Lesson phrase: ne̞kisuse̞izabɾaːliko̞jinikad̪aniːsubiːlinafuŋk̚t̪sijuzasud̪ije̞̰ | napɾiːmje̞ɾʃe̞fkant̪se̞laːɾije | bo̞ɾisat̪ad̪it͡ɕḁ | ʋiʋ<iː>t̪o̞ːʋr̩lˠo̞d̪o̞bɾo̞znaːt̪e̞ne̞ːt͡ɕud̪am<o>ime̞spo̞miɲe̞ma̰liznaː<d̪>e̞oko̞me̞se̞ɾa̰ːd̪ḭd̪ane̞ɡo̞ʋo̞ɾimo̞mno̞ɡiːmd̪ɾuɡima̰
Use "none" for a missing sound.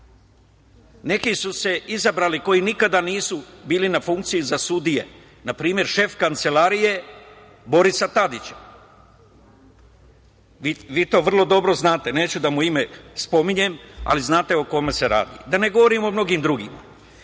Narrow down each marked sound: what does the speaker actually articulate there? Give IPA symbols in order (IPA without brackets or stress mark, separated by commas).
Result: iː, u, t̪